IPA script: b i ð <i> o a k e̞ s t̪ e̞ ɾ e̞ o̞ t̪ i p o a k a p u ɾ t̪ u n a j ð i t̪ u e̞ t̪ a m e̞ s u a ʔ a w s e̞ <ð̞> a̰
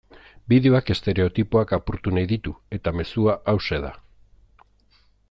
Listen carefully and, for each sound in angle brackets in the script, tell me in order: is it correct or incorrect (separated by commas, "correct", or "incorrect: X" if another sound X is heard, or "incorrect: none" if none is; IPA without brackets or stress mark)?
incorrect: e, correct